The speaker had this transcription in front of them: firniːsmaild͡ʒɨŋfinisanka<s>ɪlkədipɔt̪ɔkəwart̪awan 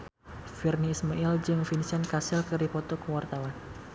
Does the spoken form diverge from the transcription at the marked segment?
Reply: no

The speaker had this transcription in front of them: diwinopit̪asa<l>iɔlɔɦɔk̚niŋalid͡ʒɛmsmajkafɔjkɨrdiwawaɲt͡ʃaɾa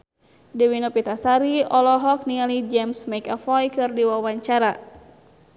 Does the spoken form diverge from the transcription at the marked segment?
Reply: yes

